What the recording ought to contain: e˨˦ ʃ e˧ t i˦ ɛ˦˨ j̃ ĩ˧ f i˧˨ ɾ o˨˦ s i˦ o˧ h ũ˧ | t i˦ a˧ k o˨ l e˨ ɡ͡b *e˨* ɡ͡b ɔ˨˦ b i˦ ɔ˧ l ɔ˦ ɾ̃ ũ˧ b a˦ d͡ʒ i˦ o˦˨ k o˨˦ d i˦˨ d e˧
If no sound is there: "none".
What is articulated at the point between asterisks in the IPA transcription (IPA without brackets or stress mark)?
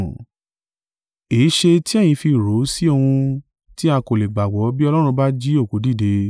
a˨